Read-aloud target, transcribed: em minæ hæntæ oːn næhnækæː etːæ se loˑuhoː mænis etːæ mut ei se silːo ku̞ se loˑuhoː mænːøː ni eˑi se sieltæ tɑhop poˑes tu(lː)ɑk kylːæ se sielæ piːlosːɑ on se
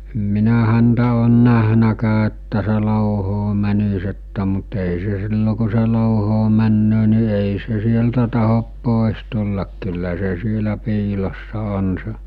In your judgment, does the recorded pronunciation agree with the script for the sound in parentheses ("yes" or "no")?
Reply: yes